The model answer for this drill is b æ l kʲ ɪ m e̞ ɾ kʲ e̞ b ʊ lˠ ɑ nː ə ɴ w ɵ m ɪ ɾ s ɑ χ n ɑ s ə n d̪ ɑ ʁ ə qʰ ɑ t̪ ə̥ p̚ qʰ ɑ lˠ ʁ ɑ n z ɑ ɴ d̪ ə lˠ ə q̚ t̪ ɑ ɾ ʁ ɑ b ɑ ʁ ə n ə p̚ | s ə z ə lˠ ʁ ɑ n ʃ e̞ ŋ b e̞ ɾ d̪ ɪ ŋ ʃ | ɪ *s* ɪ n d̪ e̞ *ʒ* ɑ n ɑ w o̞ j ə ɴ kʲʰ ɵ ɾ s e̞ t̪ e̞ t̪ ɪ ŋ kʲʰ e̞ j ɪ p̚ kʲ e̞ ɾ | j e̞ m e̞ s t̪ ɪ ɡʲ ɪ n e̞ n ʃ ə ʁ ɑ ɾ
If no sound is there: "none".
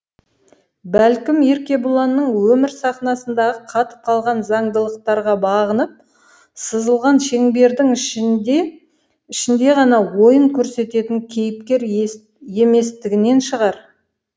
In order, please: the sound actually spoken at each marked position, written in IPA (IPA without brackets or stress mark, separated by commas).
ʃ, ʁ